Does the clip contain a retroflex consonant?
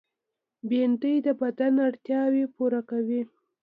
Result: yes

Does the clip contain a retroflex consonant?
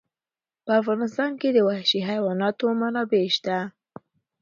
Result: no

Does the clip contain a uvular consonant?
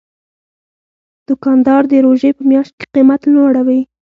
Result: yes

